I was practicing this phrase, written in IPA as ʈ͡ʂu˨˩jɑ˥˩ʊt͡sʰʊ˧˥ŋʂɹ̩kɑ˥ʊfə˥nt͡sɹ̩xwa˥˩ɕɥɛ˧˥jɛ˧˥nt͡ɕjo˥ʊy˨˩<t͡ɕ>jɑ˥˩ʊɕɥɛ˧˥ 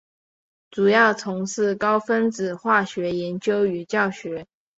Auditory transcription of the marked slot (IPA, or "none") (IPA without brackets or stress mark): t͡ɕ